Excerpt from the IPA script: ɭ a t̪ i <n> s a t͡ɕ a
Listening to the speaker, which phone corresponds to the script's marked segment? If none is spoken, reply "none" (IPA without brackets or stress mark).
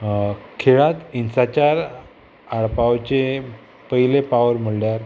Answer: n